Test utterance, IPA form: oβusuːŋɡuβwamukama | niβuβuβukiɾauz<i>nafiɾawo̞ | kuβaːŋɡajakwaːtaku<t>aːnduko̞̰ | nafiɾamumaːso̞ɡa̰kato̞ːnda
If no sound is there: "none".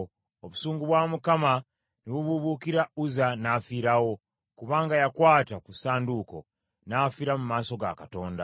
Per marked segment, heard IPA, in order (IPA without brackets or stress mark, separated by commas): a, s